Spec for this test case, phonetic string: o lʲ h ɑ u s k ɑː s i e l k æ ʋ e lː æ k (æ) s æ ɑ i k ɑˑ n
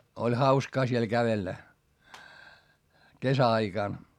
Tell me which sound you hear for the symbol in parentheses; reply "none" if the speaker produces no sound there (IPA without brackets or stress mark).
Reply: e